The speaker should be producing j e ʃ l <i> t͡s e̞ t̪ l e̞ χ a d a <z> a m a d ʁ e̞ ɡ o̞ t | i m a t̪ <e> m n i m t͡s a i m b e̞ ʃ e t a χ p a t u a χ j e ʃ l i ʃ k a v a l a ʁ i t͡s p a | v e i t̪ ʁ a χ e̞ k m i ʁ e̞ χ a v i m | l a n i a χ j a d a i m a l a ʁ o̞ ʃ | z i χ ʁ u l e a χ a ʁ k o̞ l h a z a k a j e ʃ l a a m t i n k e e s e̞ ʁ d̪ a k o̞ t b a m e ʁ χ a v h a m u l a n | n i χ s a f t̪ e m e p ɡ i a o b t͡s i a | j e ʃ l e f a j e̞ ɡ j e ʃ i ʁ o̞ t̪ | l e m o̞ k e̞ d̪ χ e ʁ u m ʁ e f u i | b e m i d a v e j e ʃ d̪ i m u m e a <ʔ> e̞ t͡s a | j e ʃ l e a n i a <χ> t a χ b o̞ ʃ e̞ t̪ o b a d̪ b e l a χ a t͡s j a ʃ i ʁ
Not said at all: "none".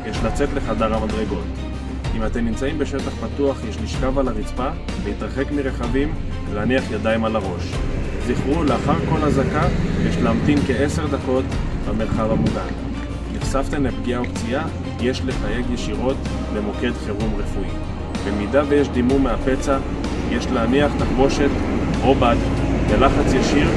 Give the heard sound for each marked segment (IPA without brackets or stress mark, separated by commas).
a, ʁ, e, p, χ